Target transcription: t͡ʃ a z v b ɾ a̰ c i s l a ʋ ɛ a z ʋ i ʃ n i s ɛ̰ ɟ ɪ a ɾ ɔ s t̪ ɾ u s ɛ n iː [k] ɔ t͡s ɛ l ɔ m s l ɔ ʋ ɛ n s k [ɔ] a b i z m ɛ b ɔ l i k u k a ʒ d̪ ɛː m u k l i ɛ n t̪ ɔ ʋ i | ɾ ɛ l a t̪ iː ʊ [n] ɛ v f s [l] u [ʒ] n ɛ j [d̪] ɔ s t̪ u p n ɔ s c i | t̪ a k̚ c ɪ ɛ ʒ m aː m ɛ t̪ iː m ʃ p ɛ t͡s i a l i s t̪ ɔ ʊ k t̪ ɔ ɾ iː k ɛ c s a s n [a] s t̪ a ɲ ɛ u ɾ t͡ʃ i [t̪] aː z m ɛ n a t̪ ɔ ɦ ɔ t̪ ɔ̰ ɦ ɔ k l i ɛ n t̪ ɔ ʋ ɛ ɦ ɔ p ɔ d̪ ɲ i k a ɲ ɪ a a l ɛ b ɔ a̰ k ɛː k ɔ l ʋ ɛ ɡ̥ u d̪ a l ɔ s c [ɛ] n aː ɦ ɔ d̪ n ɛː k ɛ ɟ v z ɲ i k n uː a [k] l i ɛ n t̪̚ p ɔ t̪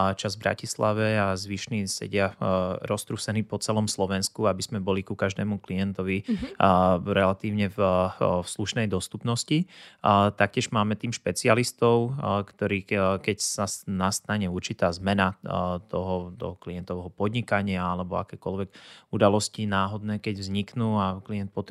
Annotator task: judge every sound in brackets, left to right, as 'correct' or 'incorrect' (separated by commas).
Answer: incorrect, incorrect, incorrect, correct, incorrect, correct, correct, correct, incorrect, correct